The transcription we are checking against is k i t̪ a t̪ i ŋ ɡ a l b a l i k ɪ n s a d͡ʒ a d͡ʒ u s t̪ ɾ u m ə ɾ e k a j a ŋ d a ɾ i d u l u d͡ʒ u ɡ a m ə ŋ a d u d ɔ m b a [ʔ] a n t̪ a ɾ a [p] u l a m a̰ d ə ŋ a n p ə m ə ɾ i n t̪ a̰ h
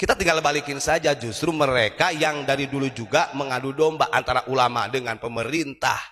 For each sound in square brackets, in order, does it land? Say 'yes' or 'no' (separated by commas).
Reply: yes, no